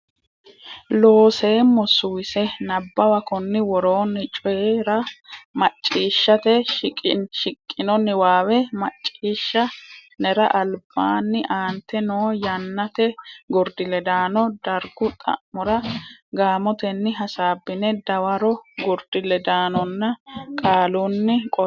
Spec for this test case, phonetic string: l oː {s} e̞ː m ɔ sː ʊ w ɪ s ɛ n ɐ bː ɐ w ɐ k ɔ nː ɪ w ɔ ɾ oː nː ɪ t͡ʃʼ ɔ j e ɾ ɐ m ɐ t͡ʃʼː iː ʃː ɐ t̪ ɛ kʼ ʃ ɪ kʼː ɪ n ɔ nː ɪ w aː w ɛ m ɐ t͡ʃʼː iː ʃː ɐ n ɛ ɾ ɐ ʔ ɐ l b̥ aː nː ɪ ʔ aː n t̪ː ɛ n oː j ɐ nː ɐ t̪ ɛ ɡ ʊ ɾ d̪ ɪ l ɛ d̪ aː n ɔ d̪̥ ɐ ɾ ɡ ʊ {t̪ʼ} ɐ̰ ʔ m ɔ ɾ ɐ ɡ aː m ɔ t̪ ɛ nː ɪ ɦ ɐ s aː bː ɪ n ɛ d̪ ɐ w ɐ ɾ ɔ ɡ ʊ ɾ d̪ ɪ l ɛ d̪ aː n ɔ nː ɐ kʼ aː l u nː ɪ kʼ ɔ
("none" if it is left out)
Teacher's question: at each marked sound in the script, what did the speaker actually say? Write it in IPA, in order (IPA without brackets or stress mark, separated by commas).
s, t̪ʼ